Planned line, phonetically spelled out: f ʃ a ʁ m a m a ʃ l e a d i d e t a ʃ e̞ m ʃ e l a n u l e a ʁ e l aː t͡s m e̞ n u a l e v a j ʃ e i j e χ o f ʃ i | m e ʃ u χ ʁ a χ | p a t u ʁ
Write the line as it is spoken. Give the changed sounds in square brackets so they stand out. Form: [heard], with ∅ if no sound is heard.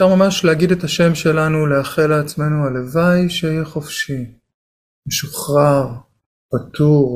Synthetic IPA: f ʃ a ʁ m a m a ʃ l e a [ɡ] i d e t a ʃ e̞ m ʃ e l a n u l e a [χ] e l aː t͡s m e̞ n u a l e v a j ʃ e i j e χ o f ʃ i | m e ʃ u χ ʁ a [ʁ] | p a t u ʁ